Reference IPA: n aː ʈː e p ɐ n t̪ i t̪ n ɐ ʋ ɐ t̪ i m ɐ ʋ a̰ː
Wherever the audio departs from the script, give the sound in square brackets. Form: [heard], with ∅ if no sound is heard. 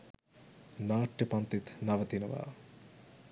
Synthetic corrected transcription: n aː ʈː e p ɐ n t̪ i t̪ n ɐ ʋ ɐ t̪ i [n] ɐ ʋ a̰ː